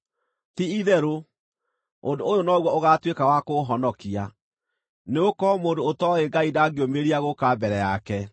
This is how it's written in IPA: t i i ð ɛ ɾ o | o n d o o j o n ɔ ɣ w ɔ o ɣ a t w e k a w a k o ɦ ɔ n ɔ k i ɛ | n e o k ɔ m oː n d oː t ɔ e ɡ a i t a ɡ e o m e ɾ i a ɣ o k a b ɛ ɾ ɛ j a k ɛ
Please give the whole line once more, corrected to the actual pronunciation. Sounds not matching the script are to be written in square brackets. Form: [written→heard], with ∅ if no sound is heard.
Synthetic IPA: t i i ð ɛ ɾ o | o n d o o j o n ɔ ɣ w ɔ o ɣ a t w e k a w a k o ɦ ɔ n ɔ k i [ɛ→a] | n e o k ɔ m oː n d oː t ɔ e ɡ a i [t→d] a ɡ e o m e ɾ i a ɣ o k a b ɛ ɾ ɛ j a k ɛ

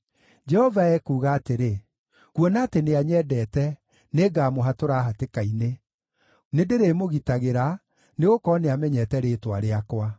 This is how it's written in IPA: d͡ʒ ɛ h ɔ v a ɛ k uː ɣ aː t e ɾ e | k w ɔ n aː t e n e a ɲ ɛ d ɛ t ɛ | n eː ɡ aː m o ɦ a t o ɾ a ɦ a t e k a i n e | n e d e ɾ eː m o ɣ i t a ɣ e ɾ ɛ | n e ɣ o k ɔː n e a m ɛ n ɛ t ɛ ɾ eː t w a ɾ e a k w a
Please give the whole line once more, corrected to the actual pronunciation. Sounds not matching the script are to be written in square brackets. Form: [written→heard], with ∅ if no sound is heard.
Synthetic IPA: d͡ʒ ɛ h ɔ v a ɛ k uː ɣ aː t e ɾ e | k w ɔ n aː t e n e a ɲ ɛ d ɛ t ɛ | n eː ɡ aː m o ɦ a t o ɾ a ɦ a t e k a i n e | n e d e ɾ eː m o ɣ i t a ɣ e ɾ [ɛ→a] | n e ɣ o k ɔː n e a m ɛ [n→ɲ] ɛ t ɛ ɾ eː t w a ɾ e a k w a

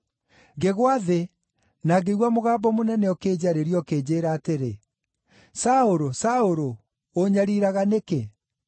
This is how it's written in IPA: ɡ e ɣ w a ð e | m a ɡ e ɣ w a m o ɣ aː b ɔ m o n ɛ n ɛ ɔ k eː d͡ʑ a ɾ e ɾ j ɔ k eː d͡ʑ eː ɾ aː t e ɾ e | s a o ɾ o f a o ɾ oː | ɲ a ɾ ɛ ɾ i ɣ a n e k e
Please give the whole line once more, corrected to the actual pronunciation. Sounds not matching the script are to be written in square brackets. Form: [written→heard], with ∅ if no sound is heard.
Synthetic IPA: ɡ e ɣ w a ð e | [m→n] a ɡ e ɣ w a m o ɣ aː b ɔ m o n ɛ n ɛ ɔ k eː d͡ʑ a ɾ e ɾ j ɔ k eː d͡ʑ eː ɾ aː t e ɾ e | s a o ɾ o [f→s] a o ɾ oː | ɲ a ɾ [ɛ→i] ɾ [i→a] ɣ a n e k e

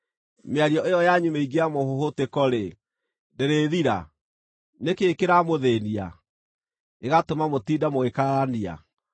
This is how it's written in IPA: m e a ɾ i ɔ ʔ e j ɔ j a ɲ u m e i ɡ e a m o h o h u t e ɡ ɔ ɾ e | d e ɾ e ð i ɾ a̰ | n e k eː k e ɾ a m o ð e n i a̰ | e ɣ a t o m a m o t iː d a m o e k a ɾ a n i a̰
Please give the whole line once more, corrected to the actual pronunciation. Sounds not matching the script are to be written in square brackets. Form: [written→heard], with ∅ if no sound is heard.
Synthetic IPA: m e a ɾ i ɔ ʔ e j ɔ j a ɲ u m e i ɡ e a m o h o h [u→o] t e [ɡ→k] ɔ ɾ e | d e ɾ e ð i ɾ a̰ | n e k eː k e ɾ a m o ð e n i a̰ | e ɣ a t o m a m o t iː d a m o e k a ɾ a n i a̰

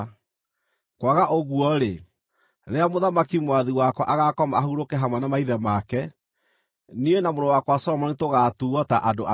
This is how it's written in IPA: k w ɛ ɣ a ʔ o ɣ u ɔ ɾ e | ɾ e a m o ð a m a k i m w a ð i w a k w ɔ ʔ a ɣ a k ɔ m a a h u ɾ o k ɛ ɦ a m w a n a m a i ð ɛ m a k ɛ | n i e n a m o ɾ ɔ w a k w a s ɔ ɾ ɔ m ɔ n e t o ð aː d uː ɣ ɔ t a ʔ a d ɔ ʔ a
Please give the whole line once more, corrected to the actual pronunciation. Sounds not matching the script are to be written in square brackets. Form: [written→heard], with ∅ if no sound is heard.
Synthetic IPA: k w [ɛ→a] ɣ a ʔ o ɣ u ɔ ɾ e | ɾ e a m o ð a m a k i m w a ð i w a k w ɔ ʔ a ɣ a k ɔ m a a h u ɾ o k ɛ ɦ a m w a n a m a i ð ɛ m a k ɛ | n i e n a m o ɾ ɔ w a k w a s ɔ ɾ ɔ m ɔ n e t o [ð→ɣ] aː [d→t] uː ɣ ɔ t a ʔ a d [ɔ→o] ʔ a

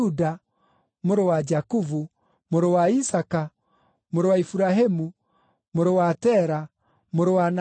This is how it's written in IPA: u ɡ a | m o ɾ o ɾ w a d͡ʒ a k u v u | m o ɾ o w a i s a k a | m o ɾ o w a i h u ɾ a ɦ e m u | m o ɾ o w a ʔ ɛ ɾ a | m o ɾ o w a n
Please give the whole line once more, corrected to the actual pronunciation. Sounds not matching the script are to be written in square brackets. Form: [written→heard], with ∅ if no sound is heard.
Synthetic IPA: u [ɡ→d] a | m o ɾ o [ɾ→∅] w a d͡ʒ a k u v u | m o ɾ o w a i s a k a | m o ɾ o w a i [h→f] u ɾ a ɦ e m u | m o ɾ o w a [ʔ→t] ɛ ɾ a | m o ɾ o w a n

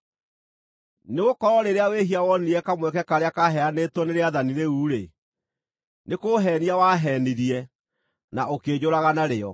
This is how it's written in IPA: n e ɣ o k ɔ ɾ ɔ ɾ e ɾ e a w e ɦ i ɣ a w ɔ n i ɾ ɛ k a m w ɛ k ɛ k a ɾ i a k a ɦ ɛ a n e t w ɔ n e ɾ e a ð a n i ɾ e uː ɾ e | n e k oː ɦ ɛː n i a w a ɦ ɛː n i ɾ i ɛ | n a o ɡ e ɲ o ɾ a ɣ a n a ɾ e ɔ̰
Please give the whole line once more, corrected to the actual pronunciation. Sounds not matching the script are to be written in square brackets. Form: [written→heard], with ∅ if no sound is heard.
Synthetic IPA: n e ɣ o k ɔ ɾ ɔ ɾ e ɾ e a w e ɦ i [ɣ→∅] a w ɔ n i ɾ ɛ k a m w ɛ k ɛ k a ɾ [i→e] a k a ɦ ɛ a n e t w ɔ n e ɾ e a ð a n i ɾ e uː ɾ e | n e k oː ɦ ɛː n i a w a ɦ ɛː n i ɾ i ɛ | n a o [ɡ→k] e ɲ o ɾ a ɣ a n a ɾ e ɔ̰

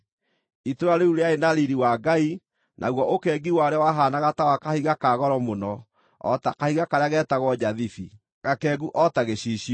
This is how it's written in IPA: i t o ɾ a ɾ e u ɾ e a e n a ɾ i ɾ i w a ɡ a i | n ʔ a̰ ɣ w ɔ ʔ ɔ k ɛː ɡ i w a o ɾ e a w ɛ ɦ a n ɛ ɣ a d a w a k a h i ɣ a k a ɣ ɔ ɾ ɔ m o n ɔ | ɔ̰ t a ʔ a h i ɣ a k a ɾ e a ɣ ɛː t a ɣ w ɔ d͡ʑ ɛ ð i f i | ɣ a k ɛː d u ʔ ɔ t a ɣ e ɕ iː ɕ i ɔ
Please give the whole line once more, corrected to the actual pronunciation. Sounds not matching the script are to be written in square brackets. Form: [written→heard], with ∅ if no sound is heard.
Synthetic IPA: i t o ɾ a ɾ e u ɾ e a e n a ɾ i ɾ i w a ɡ a i | n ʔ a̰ ɣ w ɔ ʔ [ɔ→o] k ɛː ɡ i w a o ɾ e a w [ɛ→a] ɦ a n [ɛ→a] ɣ a [d→t] a w a k a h i ɣ a k a ɣ ɔ ɾ ɔ m o n ɔ | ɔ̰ t a [ʔ→k] a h i ɣ a k a ɾ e a ɣ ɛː t a ɣ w ɔ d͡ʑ [ɛ→a] ð i f i | ɣ a k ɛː [d→ɡ] u ʔ ɔ t a ɣ e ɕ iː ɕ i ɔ

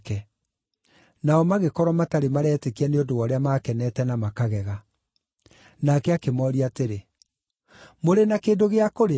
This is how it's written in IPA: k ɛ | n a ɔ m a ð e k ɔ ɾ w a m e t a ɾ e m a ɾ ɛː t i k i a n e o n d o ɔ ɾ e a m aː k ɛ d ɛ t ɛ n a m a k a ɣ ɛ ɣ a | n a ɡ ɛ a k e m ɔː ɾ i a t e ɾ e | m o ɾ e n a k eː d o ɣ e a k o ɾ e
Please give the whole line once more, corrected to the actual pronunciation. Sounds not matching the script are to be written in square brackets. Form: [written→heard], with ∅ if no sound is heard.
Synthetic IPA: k ɛ | n a ɔ m a [ð→ɣ] e k ɔ ɾ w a m [e→a] t a ɾ e m a ɾ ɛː t [i→e] k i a n e o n d o ɔ ɾ e a m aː k ɛ [d→n] ɛ t ɛ n a m a k a ɣ ɛ ɣ a | n a [ɡ→k] ɛ a k e m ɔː ɾ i a t e ɾ e | m o ɾ e n a k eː d o ɣ e a k o ɾ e

